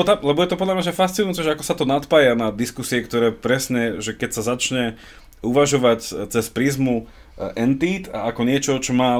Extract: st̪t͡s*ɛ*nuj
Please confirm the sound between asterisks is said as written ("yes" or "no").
no